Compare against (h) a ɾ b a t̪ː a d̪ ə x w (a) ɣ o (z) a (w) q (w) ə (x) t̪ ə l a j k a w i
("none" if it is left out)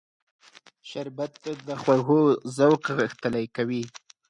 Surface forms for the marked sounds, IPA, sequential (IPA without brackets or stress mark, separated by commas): ʃ, a, z, w, ɣ, x